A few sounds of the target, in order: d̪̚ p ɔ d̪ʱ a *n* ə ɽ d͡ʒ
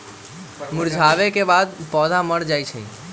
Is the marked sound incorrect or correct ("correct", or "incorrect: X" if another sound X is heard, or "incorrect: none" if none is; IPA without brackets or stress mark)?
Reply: incorrect: m